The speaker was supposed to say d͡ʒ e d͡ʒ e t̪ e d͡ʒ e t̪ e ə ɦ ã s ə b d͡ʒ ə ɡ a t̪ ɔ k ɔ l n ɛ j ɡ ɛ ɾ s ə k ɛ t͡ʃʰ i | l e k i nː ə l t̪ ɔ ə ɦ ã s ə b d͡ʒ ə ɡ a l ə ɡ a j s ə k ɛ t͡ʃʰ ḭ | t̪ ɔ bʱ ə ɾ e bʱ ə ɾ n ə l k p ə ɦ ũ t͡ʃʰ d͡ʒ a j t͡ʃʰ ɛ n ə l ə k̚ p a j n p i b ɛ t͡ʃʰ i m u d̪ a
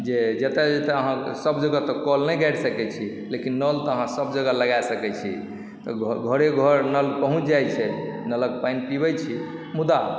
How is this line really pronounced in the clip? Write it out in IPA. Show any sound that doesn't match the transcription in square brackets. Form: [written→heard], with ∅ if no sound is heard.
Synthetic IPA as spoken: d͡ʒ e d͡ʒ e t̪ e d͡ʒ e t̪ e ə ɦ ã s ə b d͡ʒ ə ɡ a t̪ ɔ k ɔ l n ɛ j ɡ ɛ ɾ s ə k ɛ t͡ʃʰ i | l e k i nː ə l t̪ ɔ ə ɦ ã s ə b d͡ʒ ə ɡ a l ə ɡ a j s ə k ɛ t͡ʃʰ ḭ | t̪ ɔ [bʱ→ɡʱ] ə ɾ e [bʱ→ɡʱ] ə ɾ n ə l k p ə ɦ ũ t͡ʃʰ d͡ʒ a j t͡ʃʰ ɛ n ə l ə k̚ p a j n p i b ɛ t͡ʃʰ i m u d̪ a